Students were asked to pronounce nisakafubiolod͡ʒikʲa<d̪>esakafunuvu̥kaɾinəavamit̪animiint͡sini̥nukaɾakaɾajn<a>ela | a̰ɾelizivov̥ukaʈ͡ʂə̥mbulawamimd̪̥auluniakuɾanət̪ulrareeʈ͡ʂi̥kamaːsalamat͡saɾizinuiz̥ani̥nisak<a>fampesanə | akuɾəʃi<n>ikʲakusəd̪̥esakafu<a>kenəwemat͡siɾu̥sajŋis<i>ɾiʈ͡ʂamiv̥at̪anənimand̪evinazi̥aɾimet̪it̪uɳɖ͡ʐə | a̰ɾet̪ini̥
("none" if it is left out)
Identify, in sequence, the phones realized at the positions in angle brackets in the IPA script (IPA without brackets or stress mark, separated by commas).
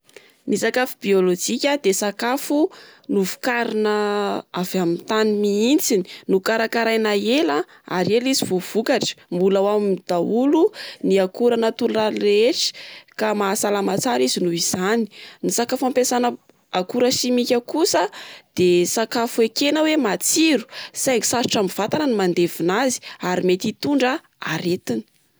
d̪, a, a, m, e, a